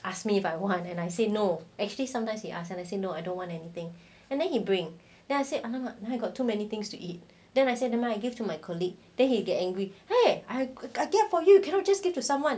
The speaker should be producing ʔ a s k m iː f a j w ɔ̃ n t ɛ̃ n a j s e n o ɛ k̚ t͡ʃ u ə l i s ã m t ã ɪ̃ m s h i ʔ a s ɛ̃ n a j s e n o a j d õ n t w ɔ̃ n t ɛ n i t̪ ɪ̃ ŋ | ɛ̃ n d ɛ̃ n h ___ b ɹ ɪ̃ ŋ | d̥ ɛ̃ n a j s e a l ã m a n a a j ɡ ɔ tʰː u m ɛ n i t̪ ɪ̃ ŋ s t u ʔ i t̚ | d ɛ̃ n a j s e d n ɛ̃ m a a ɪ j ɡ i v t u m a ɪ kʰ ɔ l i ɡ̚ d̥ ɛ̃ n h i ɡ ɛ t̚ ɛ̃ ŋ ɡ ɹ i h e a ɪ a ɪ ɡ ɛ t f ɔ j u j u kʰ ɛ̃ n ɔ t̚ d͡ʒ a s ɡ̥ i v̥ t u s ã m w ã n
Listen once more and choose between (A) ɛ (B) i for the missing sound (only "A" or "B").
B